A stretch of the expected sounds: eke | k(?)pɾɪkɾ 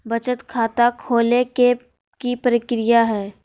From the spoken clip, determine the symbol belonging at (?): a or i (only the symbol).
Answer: i